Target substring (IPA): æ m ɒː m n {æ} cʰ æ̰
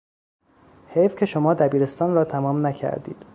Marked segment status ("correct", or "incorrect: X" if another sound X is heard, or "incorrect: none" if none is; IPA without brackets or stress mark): correct